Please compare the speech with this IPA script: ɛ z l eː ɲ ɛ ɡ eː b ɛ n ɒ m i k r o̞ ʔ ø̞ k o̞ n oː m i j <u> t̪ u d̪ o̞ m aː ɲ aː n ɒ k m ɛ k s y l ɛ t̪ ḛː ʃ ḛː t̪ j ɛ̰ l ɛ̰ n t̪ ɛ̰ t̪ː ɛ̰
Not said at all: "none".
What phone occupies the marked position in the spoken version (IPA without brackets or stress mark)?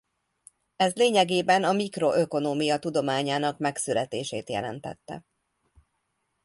ɒ